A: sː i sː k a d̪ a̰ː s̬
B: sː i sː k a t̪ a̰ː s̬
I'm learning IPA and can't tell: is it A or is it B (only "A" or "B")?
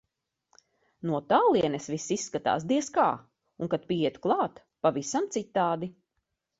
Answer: B